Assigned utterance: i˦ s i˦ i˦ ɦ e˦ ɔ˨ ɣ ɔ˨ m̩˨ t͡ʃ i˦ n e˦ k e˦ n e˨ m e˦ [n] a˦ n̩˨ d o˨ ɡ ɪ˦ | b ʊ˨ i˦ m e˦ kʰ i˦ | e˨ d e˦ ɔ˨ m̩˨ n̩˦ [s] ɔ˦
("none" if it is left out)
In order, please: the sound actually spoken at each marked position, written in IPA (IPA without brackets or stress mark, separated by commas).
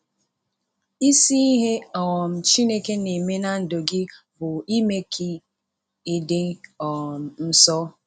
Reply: n, s